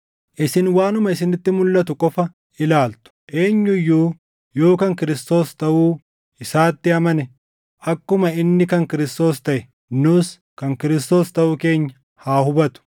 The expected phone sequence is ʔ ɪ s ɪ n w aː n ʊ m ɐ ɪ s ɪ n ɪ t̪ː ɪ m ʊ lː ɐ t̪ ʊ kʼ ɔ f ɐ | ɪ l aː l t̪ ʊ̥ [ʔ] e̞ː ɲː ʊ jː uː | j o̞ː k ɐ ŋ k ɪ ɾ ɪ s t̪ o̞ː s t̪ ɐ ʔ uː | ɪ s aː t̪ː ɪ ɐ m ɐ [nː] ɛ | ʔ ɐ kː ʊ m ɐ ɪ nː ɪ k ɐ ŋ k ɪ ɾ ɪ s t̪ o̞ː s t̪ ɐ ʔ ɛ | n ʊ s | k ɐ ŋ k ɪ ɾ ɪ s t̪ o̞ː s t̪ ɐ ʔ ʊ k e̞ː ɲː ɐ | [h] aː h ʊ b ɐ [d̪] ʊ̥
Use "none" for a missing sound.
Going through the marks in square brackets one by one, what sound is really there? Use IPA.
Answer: ʔ, n, h, t̪

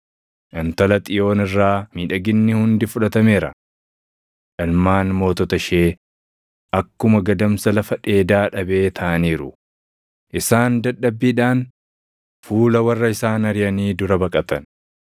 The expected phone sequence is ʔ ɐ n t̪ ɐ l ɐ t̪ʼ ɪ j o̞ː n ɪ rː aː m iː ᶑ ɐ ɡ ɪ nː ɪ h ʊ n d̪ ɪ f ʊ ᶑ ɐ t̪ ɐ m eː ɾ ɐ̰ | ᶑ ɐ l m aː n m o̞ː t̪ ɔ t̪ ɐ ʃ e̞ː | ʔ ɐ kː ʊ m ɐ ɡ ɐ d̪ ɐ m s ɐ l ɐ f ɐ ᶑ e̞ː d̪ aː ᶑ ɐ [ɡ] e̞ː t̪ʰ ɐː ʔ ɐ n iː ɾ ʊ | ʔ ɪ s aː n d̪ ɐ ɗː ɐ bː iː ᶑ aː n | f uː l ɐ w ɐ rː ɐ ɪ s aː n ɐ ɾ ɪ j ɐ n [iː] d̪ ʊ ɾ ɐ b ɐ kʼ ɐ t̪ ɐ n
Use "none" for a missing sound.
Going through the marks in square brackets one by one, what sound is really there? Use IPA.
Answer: b, iː

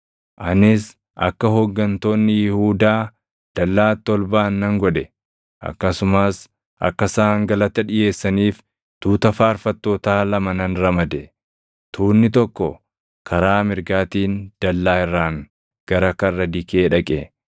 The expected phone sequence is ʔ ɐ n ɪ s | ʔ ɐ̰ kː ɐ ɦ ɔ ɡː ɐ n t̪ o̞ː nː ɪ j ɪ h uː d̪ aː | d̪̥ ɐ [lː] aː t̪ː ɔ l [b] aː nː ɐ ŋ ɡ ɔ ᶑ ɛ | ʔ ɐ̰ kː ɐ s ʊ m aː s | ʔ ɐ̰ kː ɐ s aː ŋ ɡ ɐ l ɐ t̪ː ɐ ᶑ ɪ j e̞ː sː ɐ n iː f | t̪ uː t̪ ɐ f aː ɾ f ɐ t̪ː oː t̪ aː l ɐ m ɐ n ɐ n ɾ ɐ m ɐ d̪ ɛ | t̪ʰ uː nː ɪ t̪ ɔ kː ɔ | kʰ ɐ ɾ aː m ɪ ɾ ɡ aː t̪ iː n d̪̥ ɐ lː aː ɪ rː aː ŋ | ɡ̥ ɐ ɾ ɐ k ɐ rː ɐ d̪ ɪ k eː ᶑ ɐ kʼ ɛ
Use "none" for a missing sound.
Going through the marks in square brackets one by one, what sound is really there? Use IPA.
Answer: lː, b

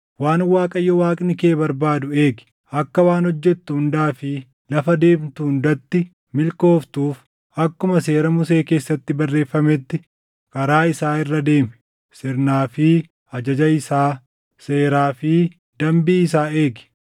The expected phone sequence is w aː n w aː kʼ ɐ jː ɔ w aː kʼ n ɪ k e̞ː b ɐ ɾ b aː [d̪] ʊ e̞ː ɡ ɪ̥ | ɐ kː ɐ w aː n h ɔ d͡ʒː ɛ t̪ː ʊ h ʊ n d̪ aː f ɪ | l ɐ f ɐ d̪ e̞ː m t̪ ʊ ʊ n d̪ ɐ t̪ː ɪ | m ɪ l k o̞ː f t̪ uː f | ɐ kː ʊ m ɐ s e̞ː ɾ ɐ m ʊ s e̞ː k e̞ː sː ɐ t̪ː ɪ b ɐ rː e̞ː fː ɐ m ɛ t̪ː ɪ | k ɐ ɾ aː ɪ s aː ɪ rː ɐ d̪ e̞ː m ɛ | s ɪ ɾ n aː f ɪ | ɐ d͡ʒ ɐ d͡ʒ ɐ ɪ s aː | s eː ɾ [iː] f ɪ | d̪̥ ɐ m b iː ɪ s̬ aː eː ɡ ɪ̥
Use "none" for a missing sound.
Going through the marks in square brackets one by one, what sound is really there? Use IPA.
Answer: d̪, aː

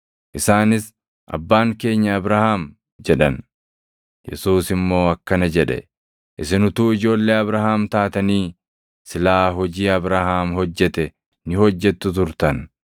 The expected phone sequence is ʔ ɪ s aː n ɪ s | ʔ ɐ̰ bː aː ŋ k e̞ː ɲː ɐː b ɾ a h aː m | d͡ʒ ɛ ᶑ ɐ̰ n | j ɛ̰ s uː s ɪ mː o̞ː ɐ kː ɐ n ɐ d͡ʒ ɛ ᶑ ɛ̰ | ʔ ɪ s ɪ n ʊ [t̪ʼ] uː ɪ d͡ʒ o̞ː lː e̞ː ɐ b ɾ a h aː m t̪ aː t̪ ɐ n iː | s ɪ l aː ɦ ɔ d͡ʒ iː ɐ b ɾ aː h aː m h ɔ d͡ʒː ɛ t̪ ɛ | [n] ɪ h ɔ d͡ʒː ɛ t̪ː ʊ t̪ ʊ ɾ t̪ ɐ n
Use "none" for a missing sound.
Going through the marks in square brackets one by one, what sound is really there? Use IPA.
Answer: t̪, n

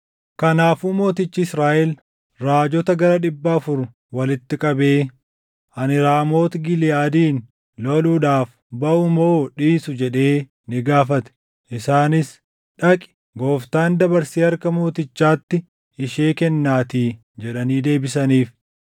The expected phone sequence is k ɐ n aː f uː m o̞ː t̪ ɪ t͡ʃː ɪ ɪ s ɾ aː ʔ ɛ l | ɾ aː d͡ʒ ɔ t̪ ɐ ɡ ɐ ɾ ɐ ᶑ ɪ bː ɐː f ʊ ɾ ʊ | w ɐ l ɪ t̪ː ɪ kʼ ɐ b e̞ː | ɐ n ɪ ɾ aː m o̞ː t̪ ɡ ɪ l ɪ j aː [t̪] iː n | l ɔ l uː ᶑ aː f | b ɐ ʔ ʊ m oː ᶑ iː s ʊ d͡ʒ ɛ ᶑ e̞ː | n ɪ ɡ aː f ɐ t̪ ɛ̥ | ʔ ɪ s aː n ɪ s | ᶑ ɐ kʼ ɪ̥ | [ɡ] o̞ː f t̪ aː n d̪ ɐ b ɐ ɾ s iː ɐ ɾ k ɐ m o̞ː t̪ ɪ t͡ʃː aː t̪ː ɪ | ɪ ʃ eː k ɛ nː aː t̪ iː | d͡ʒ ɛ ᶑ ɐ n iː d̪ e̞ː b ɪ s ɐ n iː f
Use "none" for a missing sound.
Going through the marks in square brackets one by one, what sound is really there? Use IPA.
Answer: d̪, ɡ

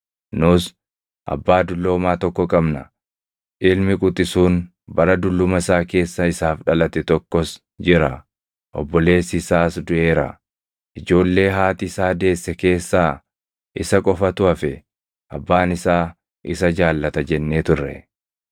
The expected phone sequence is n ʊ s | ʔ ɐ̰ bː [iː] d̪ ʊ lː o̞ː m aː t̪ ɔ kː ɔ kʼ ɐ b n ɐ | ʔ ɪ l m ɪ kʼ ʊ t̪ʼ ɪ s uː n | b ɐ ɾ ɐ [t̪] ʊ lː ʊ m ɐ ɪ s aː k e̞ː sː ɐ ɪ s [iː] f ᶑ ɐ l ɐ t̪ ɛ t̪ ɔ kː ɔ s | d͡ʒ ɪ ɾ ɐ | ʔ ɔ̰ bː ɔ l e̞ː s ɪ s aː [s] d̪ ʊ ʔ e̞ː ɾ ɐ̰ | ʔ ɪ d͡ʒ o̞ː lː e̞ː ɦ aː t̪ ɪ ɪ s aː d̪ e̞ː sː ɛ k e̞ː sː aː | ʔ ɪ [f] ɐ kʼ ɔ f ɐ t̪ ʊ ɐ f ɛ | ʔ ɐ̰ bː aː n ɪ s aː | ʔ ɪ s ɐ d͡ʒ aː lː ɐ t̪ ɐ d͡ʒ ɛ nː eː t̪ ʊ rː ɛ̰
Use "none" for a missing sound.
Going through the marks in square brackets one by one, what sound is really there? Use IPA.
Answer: aː, d̪, aː, s, s

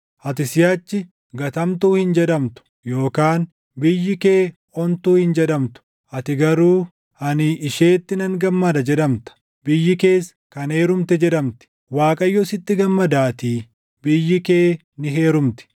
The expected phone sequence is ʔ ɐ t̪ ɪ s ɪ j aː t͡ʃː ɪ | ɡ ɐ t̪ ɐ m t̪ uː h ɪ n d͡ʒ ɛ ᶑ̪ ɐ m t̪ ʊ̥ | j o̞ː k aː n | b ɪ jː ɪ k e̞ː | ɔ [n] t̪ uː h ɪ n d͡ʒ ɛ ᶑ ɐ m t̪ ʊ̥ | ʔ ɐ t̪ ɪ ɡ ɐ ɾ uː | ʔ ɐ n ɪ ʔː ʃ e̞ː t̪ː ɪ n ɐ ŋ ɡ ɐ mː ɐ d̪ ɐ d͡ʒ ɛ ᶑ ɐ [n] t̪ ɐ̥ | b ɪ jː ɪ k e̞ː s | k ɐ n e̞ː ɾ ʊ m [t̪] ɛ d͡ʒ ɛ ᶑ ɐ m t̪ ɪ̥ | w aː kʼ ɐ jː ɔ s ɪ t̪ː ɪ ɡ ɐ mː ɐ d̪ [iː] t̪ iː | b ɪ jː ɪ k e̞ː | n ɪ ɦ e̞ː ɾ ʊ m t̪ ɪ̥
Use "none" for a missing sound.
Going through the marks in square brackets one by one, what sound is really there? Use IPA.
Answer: n, m, t̪, aː

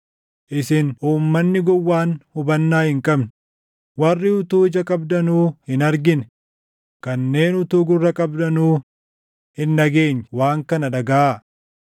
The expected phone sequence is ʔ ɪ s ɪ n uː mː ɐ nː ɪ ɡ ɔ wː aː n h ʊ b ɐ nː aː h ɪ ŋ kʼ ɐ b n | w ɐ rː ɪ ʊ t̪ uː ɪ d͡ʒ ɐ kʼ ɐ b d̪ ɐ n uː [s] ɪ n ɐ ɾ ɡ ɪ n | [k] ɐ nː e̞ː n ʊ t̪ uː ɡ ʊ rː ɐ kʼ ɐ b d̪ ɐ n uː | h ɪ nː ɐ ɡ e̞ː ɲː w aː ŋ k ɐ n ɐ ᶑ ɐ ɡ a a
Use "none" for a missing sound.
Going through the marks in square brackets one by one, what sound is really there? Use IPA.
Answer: h, k

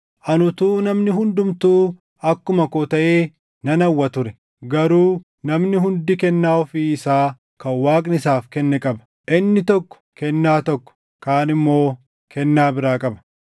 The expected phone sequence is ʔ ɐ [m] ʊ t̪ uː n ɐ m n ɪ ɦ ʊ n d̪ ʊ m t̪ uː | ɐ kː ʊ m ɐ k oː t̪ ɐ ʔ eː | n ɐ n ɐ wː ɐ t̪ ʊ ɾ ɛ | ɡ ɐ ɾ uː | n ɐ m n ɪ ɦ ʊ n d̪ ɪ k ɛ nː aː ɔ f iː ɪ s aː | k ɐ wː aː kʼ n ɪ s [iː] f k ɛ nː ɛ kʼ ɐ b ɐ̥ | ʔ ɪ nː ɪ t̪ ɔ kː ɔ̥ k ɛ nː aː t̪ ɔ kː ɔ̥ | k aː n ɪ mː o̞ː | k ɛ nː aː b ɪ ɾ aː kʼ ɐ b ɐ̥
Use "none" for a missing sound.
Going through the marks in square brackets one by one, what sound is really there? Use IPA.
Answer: n, aː

